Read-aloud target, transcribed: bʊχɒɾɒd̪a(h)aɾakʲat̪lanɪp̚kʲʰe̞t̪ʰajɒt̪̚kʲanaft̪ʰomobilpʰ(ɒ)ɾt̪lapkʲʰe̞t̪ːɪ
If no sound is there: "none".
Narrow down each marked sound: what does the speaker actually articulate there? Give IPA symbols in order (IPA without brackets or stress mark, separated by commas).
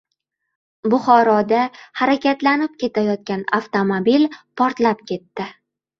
h, ɒ